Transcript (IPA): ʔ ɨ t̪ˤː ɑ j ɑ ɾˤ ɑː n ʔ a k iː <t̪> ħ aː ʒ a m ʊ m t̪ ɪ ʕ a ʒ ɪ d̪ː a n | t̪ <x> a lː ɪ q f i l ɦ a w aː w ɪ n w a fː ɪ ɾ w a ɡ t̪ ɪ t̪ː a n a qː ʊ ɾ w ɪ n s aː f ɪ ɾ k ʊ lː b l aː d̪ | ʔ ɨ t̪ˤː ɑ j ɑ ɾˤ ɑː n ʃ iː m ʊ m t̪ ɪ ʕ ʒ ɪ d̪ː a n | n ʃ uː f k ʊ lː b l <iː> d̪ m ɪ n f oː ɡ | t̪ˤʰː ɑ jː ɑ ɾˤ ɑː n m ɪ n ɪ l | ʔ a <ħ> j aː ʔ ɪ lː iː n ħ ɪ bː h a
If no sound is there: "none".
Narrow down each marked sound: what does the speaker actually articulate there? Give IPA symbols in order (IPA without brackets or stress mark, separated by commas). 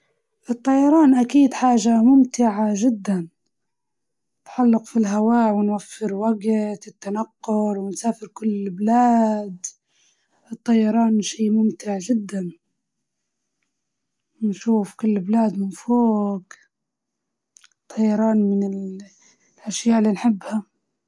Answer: d̪, ħ, aː, ʃ